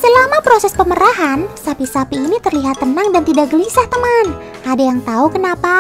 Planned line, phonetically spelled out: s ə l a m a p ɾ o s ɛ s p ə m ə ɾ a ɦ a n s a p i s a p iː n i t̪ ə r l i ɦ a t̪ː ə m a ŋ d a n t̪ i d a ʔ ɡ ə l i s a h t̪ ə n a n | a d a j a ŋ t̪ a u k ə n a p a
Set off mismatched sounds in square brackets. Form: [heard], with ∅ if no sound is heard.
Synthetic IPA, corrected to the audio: s ə l a m a p ɾ o s ɛ s p ə m ə ɾ a ɦ a n s a p i s a p iː n i t̪ ə r l i ɦ a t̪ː ə [n] a ŋ d a n t̪ i d a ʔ ɡ ə l i s a h t̪ ə [m] a n | a d a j a ŋ t̪ a u k ə n a p a